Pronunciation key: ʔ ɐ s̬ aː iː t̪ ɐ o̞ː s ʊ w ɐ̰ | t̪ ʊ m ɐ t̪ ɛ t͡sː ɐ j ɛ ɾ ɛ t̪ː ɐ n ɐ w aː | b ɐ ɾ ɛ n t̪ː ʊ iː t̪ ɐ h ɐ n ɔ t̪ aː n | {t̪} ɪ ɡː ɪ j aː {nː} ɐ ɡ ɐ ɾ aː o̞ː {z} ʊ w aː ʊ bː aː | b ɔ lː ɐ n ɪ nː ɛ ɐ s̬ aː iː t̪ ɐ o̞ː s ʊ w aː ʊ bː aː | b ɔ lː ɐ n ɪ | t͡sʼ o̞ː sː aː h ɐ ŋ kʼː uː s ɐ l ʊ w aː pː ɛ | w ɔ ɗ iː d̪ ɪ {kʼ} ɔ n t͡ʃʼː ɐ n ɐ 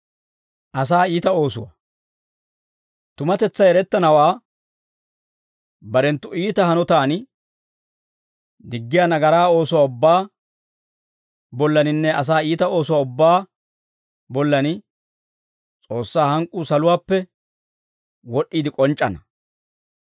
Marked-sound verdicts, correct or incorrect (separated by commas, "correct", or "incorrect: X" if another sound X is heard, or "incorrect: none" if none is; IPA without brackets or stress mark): incorrect: d̪, incorrect: n, incorrect: s, correct